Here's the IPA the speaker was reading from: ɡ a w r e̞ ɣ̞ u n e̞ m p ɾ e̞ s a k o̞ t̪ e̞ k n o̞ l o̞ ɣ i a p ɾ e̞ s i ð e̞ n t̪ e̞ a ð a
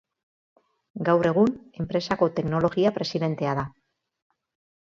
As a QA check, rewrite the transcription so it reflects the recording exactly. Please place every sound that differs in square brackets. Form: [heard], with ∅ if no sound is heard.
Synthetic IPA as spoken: ɡ a w r e̞ ɣ̞ u n e̞ m p ɾ e̞ s a k o̞ t̪ e̞ k n o̞ l o̞ ɣ i a p ɾ e̞ s i ð e̞ n t̪ e̞ a ð a